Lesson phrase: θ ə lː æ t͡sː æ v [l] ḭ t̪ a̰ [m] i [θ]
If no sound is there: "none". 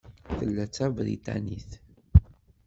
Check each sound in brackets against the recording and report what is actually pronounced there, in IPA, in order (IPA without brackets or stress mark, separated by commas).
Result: ɾ, n, θ